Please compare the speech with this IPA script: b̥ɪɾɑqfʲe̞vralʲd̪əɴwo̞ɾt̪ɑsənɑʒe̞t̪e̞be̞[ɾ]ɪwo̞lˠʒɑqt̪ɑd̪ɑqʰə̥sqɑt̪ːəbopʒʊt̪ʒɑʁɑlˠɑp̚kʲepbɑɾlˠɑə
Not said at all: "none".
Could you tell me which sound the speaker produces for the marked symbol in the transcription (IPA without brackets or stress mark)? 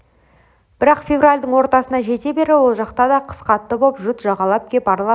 ɾ